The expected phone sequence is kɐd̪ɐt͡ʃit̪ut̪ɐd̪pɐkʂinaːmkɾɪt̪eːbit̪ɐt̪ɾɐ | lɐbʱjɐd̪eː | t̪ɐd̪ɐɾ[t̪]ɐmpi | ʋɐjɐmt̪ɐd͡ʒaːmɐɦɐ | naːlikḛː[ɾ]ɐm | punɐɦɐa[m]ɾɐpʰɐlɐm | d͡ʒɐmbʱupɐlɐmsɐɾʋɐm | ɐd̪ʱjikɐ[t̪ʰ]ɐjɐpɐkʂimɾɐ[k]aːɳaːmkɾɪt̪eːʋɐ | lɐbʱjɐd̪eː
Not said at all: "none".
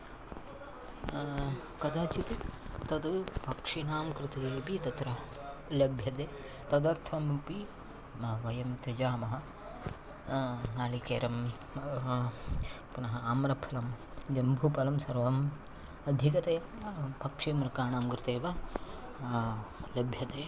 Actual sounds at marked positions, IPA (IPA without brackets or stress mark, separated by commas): t̪ʰ, ɾ, m, t̪, k